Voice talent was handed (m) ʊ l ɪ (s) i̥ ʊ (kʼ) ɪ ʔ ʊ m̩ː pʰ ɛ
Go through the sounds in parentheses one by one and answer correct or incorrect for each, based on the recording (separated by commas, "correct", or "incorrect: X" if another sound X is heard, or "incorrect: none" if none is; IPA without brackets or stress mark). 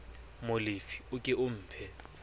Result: correct, incorrect: f, correct